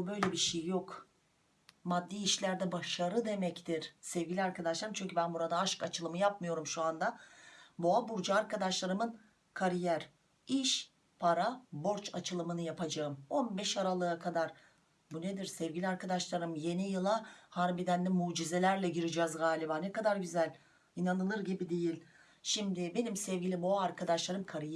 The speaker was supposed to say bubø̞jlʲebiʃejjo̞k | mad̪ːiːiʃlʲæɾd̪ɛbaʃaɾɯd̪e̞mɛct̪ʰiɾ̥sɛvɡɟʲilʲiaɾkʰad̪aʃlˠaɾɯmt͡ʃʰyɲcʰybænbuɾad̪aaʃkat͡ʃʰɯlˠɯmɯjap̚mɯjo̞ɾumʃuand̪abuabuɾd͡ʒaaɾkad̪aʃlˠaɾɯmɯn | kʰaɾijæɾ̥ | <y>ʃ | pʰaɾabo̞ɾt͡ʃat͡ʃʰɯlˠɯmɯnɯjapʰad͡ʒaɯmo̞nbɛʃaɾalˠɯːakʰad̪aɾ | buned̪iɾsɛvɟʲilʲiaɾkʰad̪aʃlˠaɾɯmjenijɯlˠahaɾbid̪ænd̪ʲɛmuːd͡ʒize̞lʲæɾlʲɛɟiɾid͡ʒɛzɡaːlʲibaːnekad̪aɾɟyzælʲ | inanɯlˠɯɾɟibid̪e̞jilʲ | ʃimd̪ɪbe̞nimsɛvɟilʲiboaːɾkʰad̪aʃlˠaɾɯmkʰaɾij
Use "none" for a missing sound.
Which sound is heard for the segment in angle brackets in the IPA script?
i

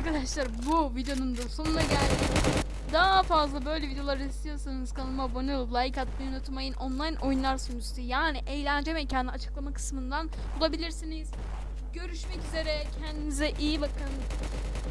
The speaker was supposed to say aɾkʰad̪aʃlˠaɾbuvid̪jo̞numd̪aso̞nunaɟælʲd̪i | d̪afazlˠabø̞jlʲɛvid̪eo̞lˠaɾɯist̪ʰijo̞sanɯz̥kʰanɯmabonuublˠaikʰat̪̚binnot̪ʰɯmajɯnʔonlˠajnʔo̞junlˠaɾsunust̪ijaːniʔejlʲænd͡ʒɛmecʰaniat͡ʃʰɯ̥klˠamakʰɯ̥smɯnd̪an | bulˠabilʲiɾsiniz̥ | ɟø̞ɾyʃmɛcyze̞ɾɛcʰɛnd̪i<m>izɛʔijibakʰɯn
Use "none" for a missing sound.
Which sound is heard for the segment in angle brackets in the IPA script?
m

